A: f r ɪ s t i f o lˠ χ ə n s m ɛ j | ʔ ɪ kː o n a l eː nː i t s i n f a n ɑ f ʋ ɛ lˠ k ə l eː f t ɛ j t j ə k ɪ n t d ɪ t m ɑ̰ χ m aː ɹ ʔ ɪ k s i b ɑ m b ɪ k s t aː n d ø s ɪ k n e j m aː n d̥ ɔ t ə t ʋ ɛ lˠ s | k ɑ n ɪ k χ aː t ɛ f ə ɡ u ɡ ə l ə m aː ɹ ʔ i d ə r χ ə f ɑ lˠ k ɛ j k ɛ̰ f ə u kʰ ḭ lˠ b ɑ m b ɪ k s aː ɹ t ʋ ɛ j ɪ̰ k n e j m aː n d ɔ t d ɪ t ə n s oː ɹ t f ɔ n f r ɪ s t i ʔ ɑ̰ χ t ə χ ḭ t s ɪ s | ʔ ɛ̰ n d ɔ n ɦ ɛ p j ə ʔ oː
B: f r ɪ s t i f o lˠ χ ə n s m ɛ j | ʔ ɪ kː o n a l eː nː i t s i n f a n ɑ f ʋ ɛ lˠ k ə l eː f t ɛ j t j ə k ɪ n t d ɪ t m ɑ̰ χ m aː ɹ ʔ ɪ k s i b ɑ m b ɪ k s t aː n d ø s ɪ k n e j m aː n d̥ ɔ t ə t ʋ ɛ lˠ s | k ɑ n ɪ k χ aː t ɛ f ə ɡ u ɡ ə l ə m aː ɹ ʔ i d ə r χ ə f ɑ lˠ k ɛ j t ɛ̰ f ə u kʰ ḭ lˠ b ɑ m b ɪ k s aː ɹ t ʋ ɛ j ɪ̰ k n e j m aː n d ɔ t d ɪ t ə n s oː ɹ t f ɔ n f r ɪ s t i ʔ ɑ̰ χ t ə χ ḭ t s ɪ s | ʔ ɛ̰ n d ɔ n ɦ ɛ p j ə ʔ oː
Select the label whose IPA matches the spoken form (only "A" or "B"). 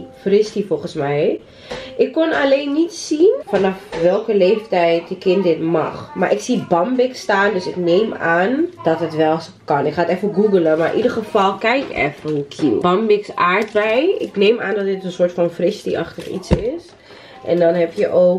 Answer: A